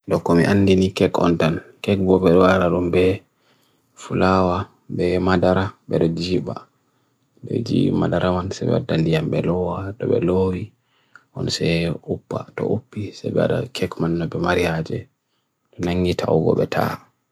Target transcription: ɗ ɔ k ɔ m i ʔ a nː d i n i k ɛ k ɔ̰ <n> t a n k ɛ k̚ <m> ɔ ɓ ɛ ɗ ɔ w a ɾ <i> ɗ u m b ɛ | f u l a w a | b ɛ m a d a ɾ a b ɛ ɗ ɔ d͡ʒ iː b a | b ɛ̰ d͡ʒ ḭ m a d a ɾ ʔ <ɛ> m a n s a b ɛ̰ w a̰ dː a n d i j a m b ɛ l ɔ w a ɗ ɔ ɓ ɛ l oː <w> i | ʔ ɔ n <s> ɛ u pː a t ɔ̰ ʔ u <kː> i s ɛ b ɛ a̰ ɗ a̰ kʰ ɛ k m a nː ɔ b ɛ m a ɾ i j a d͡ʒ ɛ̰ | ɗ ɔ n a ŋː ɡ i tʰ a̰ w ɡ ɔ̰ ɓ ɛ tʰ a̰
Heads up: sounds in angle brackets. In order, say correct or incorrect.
correct, incorrect, incorrect, incorrect, correct, correct, incorrect

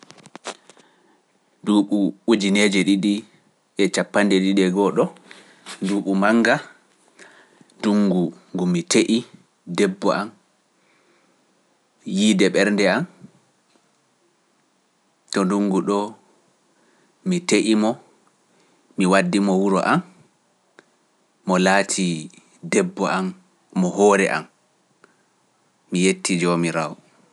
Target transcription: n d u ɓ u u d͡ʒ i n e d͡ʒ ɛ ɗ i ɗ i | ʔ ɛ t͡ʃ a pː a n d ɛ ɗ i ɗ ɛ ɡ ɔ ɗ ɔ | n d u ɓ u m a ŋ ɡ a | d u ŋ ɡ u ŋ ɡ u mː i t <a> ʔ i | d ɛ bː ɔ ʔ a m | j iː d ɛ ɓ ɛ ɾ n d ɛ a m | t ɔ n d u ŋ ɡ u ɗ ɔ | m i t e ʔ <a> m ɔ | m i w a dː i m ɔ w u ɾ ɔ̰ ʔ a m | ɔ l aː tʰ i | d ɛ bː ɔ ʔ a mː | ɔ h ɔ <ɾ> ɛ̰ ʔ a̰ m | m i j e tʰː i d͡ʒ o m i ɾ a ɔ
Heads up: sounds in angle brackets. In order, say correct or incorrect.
incorrect, incorrect, correct

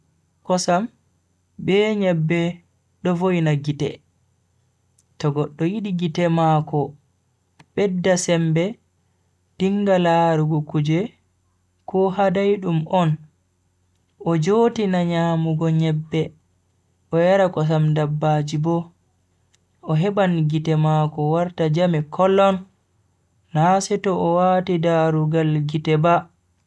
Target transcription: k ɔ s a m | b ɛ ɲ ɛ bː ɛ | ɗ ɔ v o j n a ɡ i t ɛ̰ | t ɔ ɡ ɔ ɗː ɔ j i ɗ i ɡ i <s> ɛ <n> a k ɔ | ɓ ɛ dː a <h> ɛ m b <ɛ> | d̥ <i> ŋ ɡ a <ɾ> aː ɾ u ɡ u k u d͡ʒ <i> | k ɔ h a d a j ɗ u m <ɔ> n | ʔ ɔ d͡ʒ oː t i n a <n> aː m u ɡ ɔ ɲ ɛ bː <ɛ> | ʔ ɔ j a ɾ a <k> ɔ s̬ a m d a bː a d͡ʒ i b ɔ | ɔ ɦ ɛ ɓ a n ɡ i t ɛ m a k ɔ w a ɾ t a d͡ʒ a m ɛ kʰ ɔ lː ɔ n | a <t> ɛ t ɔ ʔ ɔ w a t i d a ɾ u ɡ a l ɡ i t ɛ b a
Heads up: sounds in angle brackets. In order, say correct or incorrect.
incorrect, incorrect, incorrect, correct, correct, incorrect, incorrect, correct, incorrect, correct, correct, incorrect

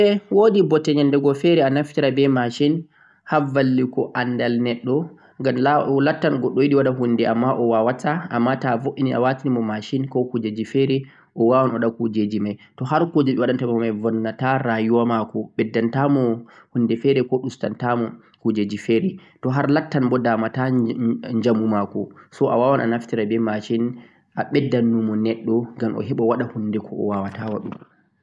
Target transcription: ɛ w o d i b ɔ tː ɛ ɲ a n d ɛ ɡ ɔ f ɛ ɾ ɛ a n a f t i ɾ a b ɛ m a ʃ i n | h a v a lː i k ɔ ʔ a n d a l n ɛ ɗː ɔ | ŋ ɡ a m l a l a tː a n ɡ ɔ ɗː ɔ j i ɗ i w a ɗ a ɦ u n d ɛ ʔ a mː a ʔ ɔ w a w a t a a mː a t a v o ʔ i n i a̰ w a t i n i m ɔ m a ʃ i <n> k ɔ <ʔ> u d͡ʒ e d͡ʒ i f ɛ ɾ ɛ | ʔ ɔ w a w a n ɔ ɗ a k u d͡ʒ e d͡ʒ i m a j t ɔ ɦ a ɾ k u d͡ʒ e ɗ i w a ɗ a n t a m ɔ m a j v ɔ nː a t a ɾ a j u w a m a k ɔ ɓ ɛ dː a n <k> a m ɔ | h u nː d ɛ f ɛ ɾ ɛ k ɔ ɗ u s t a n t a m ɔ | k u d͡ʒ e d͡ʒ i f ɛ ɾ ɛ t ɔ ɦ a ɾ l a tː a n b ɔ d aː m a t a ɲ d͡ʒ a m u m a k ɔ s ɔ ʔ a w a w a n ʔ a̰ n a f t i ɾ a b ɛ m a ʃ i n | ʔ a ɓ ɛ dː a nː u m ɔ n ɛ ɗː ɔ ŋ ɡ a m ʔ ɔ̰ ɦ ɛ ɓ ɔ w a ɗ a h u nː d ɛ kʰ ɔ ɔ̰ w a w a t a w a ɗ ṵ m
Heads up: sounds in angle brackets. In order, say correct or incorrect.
correct, incorrect, incorrect

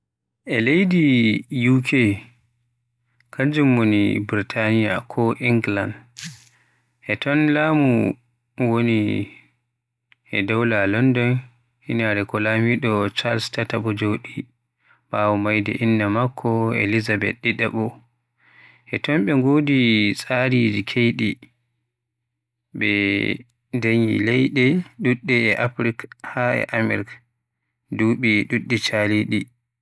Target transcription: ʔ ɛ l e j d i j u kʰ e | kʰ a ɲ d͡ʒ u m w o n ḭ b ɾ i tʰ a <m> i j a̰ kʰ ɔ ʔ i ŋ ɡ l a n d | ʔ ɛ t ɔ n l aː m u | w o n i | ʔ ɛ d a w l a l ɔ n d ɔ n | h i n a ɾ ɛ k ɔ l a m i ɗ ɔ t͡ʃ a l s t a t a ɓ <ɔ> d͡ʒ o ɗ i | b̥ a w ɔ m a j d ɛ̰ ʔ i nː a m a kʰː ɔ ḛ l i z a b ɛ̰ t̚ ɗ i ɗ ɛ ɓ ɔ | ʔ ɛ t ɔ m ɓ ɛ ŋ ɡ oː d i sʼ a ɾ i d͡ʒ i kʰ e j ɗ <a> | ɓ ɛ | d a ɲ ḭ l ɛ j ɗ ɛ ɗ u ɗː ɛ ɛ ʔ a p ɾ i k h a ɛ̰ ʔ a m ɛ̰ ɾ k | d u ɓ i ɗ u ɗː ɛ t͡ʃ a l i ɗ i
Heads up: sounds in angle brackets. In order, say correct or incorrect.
incorrect, correct, incorrect

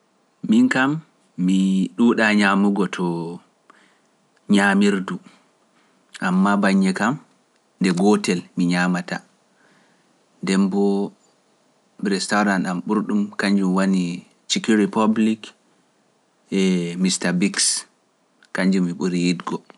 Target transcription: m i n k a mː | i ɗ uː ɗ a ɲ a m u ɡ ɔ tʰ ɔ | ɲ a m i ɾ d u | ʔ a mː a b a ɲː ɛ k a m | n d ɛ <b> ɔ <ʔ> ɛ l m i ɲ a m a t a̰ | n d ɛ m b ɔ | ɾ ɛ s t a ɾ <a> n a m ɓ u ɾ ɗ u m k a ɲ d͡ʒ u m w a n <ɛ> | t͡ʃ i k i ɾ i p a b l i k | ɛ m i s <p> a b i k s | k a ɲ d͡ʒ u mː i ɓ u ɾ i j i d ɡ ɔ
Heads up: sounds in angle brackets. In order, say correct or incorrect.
incorrect, incorrect, correct, incorrect, incorrect

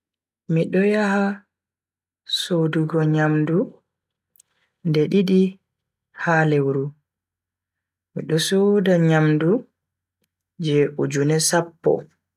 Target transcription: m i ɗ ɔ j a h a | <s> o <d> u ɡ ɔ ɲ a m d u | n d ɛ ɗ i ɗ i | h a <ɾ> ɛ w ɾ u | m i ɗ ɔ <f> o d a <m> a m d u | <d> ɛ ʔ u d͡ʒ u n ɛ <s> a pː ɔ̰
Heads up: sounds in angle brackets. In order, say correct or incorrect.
correct, correct, incorrect, incorrect, incorrect, incorrect, correct

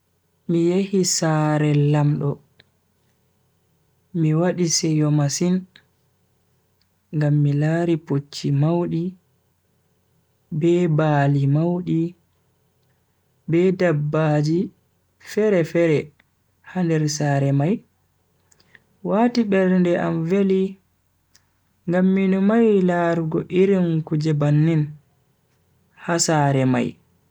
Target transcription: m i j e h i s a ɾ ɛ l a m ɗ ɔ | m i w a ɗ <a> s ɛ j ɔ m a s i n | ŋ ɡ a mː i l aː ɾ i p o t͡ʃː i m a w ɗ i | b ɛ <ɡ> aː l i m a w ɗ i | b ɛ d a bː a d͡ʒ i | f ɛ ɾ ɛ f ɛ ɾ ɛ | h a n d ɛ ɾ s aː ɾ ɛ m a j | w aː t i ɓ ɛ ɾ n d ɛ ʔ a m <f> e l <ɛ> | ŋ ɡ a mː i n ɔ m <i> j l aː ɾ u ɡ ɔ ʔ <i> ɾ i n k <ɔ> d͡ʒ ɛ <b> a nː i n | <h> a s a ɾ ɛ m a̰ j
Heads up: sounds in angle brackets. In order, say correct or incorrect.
incorrect, incorrect, incorrect, incorrect, incorrect, correct, incorrect, correct, correct

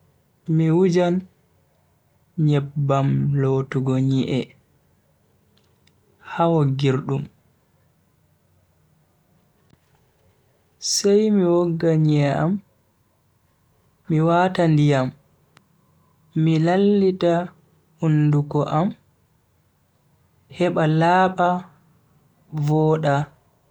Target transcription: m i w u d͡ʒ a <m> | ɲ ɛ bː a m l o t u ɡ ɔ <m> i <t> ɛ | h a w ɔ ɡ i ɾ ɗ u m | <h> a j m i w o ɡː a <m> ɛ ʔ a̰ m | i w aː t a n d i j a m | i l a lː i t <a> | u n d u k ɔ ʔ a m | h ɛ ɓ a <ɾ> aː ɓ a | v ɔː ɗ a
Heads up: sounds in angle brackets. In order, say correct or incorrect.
incorrect, incorrect, incorrect, incorrect, incorrect, correct, incorrect

